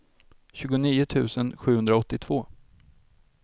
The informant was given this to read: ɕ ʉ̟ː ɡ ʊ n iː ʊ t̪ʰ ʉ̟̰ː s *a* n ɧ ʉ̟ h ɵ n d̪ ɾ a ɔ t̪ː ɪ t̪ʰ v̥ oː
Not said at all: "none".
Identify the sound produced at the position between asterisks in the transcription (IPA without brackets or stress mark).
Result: ə